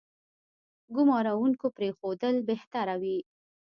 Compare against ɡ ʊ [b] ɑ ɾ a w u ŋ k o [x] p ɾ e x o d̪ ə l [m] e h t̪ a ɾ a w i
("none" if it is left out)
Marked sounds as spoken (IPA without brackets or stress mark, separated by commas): m, none, b